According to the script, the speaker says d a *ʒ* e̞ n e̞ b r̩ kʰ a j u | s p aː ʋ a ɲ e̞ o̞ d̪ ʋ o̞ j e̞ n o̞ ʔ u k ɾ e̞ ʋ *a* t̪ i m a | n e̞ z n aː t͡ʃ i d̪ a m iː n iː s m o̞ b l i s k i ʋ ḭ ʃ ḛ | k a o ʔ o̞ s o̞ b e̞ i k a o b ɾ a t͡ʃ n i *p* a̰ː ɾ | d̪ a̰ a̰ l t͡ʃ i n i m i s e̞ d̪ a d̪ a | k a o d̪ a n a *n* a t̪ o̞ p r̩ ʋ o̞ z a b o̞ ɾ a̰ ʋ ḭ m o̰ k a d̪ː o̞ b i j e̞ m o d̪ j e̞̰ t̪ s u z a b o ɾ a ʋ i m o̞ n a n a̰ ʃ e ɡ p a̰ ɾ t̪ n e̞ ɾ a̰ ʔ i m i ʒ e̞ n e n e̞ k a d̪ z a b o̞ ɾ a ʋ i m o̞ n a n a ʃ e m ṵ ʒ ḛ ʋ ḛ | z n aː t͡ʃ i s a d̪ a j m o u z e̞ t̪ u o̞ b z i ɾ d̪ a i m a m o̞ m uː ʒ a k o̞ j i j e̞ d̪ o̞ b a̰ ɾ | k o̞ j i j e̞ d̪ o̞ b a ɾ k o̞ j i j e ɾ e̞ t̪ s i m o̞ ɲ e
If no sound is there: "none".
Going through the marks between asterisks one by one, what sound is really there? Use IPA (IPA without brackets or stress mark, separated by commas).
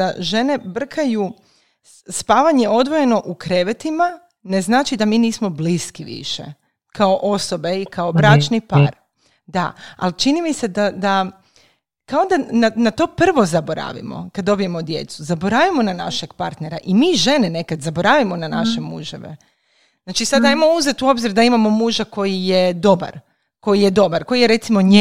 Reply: ʒ, e, p, n